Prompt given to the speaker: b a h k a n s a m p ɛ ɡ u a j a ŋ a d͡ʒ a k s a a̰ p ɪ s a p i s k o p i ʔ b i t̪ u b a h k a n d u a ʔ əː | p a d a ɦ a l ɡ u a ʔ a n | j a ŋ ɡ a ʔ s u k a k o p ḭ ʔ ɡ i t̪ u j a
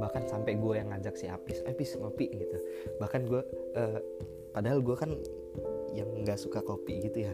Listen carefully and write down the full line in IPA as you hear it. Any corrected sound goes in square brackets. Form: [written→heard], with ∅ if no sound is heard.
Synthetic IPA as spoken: b a h k a n s a m p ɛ ɡ u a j a ŋ a d͡ʒ a k s [a→i] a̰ p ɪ s a p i s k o p i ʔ [b→ɡ] i t̪ u b a h k a n [d→ɡ] u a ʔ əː | p a d a ɦ a l ɡ u a [ʔ→k] a n | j a ŋ ɡ a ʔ s u k a k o p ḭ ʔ ɡ i t̪ u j a